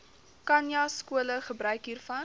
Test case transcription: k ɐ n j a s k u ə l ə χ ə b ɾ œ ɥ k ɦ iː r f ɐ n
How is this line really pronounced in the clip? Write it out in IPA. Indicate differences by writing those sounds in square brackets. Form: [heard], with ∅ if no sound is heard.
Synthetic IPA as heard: k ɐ n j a s k u ə l ə χ ə b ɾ œ ɥ k ɦ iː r f ɐ n